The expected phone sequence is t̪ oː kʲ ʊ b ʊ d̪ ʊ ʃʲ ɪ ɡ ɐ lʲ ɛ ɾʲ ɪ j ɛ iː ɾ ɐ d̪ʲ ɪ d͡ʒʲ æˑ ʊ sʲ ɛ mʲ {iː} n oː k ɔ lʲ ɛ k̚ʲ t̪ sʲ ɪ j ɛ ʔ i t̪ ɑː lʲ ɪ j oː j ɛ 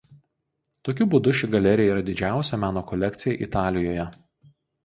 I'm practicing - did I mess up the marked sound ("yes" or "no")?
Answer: yes